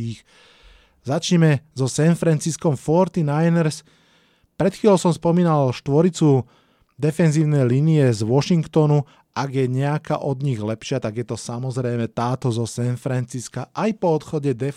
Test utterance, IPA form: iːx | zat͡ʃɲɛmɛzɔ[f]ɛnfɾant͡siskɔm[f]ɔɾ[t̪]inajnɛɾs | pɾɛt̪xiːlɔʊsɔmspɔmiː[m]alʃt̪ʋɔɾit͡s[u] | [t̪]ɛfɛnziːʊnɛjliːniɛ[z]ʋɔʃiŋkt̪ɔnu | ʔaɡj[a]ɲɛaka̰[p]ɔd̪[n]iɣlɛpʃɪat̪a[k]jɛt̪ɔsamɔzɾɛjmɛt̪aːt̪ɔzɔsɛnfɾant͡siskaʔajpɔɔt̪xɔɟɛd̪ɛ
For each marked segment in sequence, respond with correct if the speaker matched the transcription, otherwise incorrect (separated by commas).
incorrect, correct, correct, incorrect, correct, incorrect, correct, incorrect, incorrect, incorrect, incorrect